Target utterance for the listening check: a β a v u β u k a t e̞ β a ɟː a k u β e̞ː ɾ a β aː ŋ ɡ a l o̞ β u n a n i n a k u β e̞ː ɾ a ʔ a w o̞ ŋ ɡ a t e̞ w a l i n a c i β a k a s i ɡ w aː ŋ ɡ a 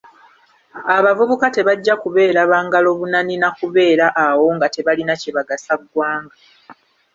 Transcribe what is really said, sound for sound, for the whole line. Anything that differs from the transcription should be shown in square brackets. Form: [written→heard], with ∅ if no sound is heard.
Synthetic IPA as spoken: a β a v u β u k a t e̞ β a ɟː a k u β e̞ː ɾ a β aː ŋ ɡ a l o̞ β u n a n i n a k u β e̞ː ɾ a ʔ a w o̞ ŋ ɡ a t e̞ [w→β] a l i n a c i β a [k→ɡ] a s [i→a] ɡ w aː ŋ ɡ a